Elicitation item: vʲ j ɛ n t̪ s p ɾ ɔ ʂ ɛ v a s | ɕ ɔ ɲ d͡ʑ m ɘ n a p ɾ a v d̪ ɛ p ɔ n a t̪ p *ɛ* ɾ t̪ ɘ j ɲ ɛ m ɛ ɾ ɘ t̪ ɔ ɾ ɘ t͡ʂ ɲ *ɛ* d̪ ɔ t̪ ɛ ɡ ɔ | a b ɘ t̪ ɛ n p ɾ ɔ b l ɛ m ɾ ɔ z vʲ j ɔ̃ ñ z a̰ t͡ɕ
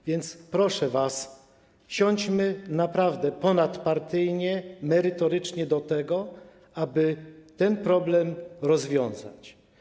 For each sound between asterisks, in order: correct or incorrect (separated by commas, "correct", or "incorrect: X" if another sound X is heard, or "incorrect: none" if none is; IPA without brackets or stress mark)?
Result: incorrect: a, correct